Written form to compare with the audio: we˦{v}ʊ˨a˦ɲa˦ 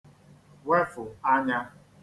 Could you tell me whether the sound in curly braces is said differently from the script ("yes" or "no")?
yes